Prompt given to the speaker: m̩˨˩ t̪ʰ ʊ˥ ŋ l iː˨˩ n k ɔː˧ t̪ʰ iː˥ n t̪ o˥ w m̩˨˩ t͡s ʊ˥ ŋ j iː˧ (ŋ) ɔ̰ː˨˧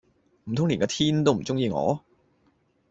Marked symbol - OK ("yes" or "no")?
yes